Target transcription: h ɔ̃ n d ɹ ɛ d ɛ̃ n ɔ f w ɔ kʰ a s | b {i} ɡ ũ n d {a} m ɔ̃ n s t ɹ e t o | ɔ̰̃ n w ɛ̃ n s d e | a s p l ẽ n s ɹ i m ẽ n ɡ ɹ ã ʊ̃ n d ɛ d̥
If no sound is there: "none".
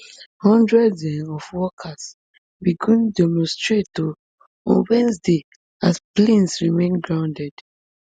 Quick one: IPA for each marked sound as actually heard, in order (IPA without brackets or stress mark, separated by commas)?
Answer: i, ɛ